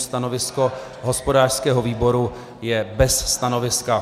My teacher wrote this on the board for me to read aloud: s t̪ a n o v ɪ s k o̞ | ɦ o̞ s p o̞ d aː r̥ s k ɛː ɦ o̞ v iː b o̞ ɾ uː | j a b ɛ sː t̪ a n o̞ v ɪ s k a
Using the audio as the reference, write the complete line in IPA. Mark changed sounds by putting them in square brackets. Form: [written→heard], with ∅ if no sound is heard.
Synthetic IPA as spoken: s t̪ a n o v ɪ s k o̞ | ɦ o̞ s p o̞ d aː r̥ s k ɛː ɦ o̞ v iː b o̞ ɾ [uː→u] | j [a→ɛ] b ɛ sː t̪ a n o̞ v ɪ s k a